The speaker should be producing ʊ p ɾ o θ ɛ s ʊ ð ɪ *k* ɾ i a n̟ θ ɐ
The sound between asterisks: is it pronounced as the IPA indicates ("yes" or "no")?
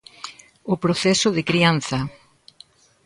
yes